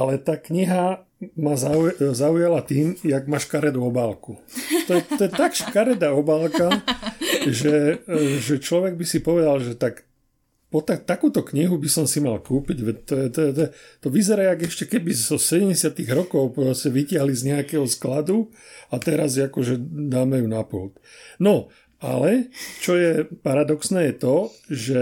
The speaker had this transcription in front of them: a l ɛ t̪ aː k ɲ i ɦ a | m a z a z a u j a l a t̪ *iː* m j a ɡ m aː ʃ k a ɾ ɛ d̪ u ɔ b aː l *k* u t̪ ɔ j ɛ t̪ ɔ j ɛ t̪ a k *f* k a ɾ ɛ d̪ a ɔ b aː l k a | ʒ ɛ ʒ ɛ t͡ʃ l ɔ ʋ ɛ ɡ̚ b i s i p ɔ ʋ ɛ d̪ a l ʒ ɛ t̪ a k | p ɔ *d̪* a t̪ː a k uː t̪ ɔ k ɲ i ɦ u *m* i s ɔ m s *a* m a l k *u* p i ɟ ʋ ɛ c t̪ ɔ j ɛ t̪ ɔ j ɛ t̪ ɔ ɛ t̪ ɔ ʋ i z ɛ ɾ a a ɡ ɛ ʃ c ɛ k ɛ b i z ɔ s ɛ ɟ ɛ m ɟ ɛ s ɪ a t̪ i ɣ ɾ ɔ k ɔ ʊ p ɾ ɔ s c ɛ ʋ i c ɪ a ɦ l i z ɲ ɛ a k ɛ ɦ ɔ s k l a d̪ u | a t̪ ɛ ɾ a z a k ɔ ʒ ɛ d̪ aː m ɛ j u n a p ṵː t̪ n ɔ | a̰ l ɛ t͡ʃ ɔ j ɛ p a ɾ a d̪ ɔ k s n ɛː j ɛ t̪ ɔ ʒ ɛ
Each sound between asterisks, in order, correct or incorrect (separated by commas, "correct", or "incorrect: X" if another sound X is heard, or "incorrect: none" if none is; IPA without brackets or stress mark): correct, correct, incorrect: ʃ, incorrect: t̪, incorrect: b, incorrect: i, incorrect: uː